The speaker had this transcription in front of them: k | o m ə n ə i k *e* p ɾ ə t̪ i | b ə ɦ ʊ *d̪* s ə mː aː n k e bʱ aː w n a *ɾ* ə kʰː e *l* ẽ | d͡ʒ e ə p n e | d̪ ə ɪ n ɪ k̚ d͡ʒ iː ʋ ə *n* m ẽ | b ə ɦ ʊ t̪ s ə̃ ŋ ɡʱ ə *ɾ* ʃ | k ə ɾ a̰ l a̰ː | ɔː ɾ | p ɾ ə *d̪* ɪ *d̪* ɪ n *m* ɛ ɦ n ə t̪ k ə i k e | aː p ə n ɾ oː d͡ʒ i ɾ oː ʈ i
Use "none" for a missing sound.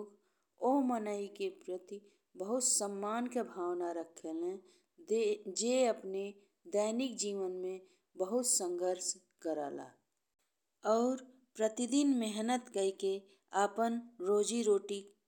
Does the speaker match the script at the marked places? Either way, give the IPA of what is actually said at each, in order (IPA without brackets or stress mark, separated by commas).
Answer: e, t̪, ɾ, l, n, ɾ, t̪, d̪, m